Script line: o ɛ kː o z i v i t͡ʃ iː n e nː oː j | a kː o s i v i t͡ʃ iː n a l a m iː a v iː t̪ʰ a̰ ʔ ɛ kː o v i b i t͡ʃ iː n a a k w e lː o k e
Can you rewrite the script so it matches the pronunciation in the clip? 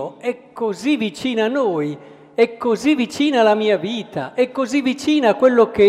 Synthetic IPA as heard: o ɛ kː o z i v i t͡ʃ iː n a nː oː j | ɛ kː o z i v i t͡ʃ iː n a l a m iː a v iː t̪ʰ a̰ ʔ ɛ kː o z i v i t͡ʃ iː n a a k w e lː o k e